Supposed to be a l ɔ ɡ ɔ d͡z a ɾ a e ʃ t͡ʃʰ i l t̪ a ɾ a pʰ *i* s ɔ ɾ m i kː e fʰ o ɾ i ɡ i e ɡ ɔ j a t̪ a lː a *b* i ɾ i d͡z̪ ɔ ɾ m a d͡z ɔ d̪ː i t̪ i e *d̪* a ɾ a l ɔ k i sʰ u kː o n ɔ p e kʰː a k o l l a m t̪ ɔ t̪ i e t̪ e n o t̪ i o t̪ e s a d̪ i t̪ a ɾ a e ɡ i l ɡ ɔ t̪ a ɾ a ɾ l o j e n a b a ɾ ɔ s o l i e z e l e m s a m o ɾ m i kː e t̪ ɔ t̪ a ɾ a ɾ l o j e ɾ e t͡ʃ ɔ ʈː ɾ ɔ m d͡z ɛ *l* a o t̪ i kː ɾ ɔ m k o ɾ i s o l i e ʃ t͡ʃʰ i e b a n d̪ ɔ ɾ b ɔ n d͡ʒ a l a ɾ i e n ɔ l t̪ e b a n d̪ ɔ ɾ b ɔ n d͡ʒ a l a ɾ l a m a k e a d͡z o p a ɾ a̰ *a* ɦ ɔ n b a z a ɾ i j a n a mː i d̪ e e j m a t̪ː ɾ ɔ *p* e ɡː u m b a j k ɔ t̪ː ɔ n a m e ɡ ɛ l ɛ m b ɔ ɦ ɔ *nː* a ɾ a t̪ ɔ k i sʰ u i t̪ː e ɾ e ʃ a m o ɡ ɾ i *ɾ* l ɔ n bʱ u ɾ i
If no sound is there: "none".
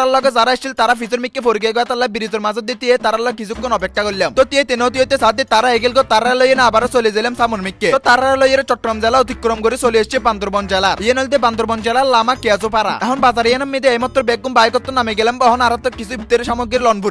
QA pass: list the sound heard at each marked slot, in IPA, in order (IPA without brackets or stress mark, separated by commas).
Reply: i, b, t̪, l, ɛ, b, n, ɾ